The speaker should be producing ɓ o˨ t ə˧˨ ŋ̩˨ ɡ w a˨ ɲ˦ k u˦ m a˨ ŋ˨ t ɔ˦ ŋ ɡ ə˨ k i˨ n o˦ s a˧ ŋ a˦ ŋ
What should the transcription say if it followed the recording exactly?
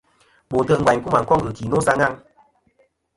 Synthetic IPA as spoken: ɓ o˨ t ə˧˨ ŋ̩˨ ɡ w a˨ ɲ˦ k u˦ m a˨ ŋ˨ k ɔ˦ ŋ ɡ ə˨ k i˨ n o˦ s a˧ ŋ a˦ ŋ